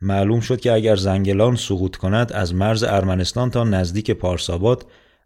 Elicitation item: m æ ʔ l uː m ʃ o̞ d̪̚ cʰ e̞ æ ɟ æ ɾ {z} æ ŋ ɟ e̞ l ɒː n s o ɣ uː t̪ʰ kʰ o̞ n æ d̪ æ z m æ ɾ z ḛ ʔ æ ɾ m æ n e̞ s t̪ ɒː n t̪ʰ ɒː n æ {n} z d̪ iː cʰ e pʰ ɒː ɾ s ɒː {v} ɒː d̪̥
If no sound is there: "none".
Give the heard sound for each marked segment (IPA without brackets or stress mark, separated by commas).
z, none, b